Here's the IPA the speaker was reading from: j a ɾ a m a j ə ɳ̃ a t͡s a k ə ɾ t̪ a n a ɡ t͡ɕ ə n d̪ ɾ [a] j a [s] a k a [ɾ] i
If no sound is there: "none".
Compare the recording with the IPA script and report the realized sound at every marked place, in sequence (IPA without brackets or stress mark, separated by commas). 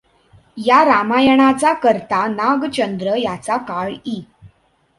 ə, t͡s, ɭ